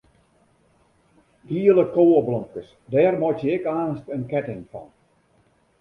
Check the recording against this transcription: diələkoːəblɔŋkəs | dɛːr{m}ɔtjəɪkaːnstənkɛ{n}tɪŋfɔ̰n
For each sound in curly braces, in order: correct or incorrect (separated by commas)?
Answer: correct, incorrect